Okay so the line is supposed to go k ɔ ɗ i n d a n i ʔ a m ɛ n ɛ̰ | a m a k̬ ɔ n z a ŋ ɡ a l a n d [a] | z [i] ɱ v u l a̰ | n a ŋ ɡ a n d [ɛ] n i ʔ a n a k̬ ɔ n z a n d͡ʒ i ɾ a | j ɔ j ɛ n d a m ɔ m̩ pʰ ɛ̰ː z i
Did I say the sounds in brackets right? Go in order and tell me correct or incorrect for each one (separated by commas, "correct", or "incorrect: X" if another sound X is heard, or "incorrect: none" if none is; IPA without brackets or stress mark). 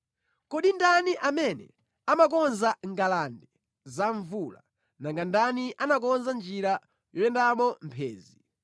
incorrect: ɛ, incorrect: a, incorrect: a